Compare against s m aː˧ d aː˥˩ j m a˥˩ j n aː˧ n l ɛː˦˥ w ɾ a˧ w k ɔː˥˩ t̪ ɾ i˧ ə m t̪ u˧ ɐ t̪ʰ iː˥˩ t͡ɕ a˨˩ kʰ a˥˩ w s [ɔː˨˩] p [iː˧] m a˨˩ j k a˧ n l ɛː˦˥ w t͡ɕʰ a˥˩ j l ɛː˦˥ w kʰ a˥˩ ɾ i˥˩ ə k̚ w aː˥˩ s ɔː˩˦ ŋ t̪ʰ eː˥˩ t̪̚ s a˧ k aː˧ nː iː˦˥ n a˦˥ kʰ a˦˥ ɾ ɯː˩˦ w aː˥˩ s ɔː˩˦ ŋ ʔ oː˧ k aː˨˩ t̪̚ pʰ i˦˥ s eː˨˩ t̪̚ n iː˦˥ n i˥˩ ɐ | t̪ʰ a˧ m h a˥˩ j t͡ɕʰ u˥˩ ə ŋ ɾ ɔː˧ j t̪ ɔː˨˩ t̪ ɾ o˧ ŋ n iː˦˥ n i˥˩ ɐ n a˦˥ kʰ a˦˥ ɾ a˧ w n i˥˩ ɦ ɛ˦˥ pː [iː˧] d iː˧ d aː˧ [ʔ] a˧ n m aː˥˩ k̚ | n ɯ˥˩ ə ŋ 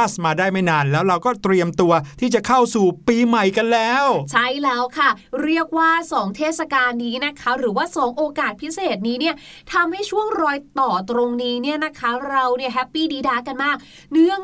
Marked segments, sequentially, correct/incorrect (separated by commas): incorrect, correct, incorrect, incorrect